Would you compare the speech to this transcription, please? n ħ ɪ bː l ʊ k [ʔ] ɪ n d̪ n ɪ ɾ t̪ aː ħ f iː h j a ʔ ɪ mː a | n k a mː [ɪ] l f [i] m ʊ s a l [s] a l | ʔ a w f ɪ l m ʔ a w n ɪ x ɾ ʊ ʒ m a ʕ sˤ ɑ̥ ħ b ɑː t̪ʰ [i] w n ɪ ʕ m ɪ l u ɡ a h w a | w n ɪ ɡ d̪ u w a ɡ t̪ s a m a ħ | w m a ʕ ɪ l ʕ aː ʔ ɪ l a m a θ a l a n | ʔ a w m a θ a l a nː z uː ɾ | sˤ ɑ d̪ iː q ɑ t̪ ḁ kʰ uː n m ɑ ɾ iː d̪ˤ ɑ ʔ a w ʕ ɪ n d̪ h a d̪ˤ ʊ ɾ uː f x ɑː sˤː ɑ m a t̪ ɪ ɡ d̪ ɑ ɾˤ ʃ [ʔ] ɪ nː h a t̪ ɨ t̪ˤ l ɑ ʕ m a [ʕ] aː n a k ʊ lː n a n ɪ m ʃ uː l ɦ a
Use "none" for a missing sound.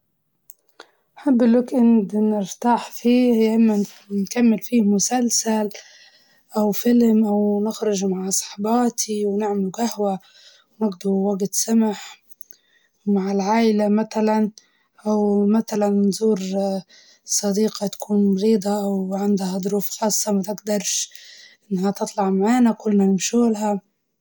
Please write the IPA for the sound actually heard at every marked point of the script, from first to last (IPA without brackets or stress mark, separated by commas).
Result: ʔ, ɪ, iː, s, i, ʔ, ʕ